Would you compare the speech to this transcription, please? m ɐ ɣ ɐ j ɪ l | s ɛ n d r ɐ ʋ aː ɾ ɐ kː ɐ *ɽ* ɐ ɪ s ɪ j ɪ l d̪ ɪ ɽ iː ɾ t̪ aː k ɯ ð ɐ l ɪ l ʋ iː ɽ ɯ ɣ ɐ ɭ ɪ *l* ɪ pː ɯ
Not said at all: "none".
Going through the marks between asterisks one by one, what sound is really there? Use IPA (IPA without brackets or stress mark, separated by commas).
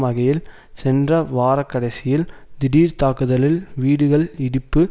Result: ɽ, ɽ